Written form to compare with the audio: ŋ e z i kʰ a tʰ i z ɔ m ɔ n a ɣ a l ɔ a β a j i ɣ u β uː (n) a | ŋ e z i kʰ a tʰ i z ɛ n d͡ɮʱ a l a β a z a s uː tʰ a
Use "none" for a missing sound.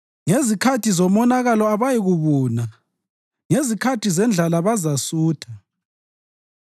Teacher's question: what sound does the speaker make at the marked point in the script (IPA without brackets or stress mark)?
n